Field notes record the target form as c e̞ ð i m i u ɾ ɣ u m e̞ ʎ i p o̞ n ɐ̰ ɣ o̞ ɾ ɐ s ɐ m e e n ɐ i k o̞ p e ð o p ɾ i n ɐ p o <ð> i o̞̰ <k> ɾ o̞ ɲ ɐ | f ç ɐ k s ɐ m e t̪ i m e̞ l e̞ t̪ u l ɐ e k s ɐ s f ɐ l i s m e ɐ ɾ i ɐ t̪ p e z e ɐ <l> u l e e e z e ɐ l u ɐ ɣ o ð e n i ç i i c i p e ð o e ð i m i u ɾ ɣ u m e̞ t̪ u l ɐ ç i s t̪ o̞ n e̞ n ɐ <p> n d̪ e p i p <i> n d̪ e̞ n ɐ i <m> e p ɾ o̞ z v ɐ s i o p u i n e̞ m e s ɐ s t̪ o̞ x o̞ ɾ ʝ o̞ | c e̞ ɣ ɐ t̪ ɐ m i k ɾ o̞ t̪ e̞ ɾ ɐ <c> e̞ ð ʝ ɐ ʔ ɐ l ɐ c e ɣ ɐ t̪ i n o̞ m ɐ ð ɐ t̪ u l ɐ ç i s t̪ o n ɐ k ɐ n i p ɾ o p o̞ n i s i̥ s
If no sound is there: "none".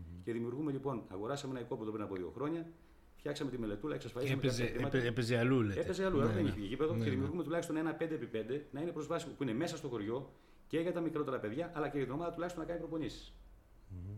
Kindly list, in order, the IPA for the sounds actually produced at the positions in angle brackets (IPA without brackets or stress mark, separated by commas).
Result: ð, x, l, p, e, n, p